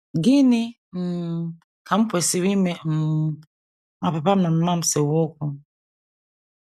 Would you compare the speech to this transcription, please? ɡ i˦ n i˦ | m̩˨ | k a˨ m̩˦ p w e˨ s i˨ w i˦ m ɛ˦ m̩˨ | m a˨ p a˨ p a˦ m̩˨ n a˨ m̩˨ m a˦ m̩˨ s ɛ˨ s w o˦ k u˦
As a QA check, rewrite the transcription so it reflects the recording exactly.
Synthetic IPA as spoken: ɡ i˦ n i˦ | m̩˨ | k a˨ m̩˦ p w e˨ s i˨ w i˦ m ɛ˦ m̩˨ | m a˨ p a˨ p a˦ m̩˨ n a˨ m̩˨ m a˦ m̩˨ s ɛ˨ w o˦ k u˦